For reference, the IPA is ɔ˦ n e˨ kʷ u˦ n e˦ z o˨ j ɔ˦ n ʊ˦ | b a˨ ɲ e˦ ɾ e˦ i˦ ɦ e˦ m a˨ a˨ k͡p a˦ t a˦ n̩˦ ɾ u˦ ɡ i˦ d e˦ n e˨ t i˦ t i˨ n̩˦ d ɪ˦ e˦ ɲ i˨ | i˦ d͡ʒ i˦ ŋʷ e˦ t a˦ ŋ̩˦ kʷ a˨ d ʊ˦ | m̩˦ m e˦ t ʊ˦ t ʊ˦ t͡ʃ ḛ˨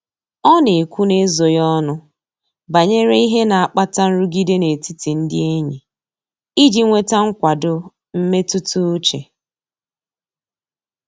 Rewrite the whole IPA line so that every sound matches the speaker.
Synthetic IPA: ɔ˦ n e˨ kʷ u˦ n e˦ z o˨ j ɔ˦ n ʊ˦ | b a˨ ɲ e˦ ɾ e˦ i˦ ɦ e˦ n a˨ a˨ k͡p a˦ t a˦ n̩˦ ɾ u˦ ɡ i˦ d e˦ n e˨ t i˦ t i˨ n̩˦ d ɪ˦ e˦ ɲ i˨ | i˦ d͡ʒ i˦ ŋʷ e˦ t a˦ ŋ̩˦ kʷ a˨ d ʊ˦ | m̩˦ m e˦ t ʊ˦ t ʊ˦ t͡ʃ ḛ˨